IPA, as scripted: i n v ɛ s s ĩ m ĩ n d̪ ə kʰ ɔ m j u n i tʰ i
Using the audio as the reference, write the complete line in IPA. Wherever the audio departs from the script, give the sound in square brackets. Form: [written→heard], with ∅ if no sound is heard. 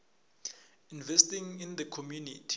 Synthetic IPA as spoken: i n v ɛ s [s→t] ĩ [m→ŋ] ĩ n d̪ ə kʰ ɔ m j u n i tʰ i